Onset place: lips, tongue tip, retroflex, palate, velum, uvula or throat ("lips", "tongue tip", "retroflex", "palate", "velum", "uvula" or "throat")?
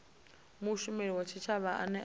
lips